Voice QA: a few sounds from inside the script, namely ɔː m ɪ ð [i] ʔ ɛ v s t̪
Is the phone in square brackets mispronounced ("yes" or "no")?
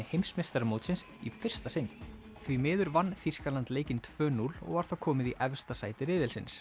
no